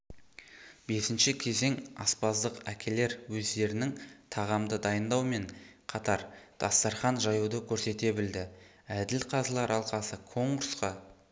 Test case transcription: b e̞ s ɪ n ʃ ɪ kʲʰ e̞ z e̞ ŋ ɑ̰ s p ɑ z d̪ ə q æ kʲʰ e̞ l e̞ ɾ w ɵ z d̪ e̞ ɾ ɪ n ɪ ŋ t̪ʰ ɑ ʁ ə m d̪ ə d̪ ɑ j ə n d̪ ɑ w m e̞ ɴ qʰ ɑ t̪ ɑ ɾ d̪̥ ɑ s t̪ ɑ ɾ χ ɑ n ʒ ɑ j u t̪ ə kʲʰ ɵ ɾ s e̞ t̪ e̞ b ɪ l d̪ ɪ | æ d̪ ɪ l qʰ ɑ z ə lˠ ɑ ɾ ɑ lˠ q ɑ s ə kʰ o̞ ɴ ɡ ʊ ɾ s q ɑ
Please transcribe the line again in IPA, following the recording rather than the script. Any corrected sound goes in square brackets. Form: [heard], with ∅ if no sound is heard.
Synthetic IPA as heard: b e̞ s ɪ n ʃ ɪ kʲʰ e̞ z e̞ ŋ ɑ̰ s p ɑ z d̪ ə q æ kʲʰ e̞ l e̞ ɾ w ɵ z d̪ e̞ ɾ ɪ n ɪ ŋ t̪ʰ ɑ ʁ [ɑ] m d̪ ə d̪ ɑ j ə n d̪ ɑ w m e̞ ɴ qʰ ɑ t̪ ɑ ɾ d̪̥ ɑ s t̪ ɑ ɾ χ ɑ n ʒ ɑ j u [d̪] ə kʲʰ ɵ ɾ s e̞ t̪ e̞ b ɪ l d̪ ɪ | æ d̪ ɪ l qʰ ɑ z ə lˠ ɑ ɾ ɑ lˠ q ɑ s ə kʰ o̞ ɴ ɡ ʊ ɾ s q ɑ

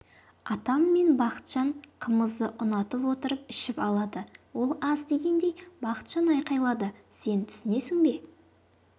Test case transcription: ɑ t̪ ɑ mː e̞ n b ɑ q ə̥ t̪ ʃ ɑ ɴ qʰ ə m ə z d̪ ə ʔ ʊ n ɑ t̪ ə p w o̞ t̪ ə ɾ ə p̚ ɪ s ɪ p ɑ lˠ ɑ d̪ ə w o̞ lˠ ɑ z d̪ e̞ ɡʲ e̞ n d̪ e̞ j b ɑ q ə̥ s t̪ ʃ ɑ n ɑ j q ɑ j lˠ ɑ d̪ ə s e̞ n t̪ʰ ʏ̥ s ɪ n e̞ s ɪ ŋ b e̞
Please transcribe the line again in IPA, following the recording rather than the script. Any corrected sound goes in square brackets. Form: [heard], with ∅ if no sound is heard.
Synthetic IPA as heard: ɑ t̪ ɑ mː e̞ n b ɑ q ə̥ t̪ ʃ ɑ ɴ qʰ ə m ə z d̪ ə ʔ ʊ n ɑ t̪ ə p w o̞ t̪ ə ɾ ə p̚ ɪ [ʃ] ɪ p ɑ lˠ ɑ d̪ ə w o̞ lˠ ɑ z d̪ e̞ ɡʲ e̞ n d̪ e̞ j b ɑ q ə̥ [∅] t̪ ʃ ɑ n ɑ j q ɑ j lˠ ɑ d̪ ə s e̞ n t̪ʰ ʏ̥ s ɪ n e̞ s ɪ ŋ b e̞

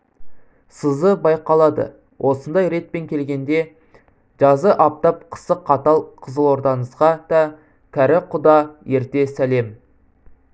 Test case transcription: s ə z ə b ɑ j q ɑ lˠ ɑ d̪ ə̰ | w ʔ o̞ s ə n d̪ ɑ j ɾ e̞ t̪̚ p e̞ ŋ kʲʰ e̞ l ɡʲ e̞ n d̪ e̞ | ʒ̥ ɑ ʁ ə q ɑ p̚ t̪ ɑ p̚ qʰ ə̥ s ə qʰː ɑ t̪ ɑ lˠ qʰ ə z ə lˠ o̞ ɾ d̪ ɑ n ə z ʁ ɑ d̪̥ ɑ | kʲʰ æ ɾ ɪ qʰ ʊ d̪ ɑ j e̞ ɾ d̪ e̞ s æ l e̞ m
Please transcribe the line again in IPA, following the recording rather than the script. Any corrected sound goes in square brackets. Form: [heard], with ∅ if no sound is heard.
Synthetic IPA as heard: s ə z ə b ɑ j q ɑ lˠ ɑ d̪ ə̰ | w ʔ o̞ s ə n d̪ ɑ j ɾ e̞ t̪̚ p e̞ ŋ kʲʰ e̞ l ɡʲ e̞ n d̪ e̞ | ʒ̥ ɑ [z] ə [ʔ] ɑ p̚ t̪ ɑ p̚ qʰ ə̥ s ə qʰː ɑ t̪ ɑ lˠ qʰ ə z ə lˠ o̞ ɾ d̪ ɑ n ə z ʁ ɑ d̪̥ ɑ | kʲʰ æ ɾ ɪ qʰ ʊ d̪ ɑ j e̞ ɾ [t̪] e̞ s æ l e̞ m

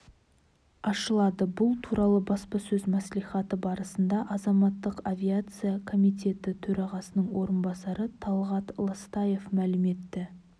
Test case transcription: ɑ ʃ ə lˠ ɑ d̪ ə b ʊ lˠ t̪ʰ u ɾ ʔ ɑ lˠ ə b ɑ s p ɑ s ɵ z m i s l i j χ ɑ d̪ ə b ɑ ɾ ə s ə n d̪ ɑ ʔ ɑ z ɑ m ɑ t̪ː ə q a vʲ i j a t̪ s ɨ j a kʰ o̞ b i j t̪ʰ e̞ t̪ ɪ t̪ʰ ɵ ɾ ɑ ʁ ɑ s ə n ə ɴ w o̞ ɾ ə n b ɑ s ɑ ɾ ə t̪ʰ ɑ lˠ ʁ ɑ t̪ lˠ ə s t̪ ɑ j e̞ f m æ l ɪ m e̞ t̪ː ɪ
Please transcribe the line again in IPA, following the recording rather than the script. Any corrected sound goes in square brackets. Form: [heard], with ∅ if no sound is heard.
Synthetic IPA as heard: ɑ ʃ ə lˠ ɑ d̪ ə b ʊ lˠ t̪ʰ u ɾ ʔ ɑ lˠ ə b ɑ s p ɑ s ɵ z m [æ] s l i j χ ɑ [t̪] ə b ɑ ɾ ə s ə n d̪ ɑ ʔ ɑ z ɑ m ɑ t̪ː ə q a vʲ i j a t̪ s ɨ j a kʰ o̞ [m] i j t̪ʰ e̞ t̪ ɪ t̪ʰ ɵ ɾ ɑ ʁ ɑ s ə n ə ɴ w o̞ ɾ ə n b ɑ s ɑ ɾ ə t̪ʰ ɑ lˠ ʁ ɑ t̪ lˠ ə s t̪ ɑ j e̞ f m æ l ɪ m e̞ t̪ː ɪ

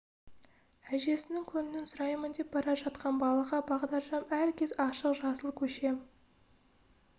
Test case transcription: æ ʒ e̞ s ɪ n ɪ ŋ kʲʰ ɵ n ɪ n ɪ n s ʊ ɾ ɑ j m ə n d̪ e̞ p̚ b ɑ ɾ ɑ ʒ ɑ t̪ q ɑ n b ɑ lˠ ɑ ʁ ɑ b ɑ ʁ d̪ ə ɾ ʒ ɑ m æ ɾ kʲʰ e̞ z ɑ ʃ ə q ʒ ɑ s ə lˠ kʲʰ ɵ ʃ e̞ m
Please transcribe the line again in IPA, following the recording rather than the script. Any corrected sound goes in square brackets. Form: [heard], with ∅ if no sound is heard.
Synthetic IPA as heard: æ ʒ e̞ s ɪ n ɪ ŋ kʲʰ ɵ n ɪ n ɪ n s ʊ ɾ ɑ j m ə n d̪ e̞ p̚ b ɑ ɾ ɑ ʒ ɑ t̪ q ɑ n b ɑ lˠ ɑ ʁ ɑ b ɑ ʁ d̪ [ɑ] ɾ ʒ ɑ m æ ɾ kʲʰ e̞ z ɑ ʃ ə q ʒ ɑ s ə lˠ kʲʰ ɵ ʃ e̞ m

